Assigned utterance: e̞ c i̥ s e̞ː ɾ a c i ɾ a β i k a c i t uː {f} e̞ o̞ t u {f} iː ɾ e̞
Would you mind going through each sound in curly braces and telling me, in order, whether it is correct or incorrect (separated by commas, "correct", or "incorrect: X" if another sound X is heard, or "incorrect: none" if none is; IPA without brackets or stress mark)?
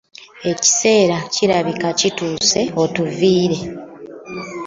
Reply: incorrect: s, incorrect: v